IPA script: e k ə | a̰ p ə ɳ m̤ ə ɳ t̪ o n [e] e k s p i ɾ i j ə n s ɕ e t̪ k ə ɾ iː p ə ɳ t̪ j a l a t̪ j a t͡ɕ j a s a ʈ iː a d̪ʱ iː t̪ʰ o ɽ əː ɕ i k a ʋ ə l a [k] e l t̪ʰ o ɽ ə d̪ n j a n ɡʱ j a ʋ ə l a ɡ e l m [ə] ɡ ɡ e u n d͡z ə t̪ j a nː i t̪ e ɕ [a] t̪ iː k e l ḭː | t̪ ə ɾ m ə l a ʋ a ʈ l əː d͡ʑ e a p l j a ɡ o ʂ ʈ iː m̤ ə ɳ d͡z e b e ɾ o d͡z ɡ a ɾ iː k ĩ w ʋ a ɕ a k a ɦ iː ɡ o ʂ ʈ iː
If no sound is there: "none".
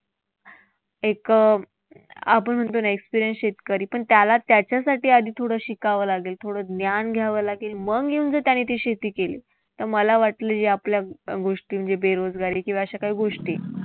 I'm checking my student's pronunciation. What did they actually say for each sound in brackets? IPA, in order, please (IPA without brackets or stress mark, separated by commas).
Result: a, ɡ, ə, e